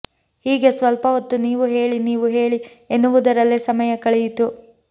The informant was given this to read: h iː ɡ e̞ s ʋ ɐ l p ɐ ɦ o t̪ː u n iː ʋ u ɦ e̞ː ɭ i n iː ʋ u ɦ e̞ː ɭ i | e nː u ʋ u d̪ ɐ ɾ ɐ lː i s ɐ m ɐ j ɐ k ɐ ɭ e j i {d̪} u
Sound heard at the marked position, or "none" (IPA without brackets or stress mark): t̪